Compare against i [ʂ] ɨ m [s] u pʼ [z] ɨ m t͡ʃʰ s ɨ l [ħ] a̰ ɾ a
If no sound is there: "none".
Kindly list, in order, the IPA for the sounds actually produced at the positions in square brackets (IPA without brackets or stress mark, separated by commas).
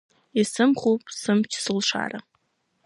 s, χ, s, ʂ